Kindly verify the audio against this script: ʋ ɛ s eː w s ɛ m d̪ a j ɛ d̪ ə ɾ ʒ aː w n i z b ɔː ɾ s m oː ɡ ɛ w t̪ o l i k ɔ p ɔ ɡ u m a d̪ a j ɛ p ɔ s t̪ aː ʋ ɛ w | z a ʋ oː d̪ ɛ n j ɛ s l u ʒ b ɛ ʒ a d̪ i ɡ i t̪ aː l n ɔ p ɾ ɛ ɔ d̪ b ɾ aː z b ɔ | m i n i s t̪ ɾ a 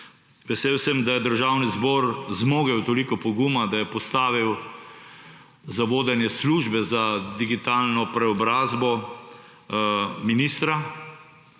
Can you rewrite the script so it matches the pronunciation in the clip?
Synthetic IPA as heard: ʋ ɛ s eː w s ɛ m d̪ a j ɛ d̪ ə ɾ ʒ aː w n i z b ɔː ɾ z m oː ɡ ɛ w t̪ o l i k ɔ p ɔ ɡ u m a d̪ a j ɛ p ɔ s t̪ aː ʋ i w | z a ʋ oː d̪ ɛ n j ɛ s l u ʒ b ɛ z a d̪ i ɡ i t̪ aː l n ɔ p ɾ ɛ ɔ b ɾ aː z b ɔ | m i n i s t̪ ɾ a